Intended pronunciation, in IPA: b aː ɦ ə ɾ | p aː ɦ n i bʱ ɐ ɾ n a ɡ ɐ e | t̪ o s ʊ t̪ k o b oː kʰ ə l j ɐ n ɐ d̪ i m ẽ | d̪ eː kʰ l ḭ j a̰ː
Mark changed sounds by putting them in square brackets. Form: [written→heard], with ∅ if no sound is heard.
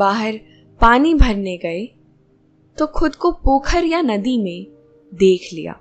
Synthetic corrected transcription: b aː ɦ ə ɾ | p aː [ɦ→∅] n i bʱ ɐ ɾ n [a→e] ɡ ɐ e | t̪ o [s→x] ʊ [t̪→d̪] k o [b→p] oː kʰ ə [l→ɾ] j [ɐ→a] n ɐ d̪ i m ẽ | d̪ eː kʰ l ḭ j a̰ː